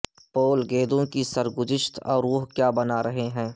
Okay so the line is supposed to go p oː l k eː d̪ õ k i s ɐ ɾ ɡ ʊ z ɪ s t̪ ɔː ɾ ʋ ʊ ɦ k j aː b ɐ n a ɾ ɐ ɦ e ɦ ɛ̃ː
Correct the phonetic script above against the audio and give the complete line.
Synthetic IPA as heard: p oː l ɡ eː d̪ õ k i s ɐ ɾ ɡ ʊ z ɪ ʃ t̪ ɔː ɾ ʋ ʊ ɦ k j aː b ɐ n a ɾ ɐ ɦ e ɦ ɛ̃ː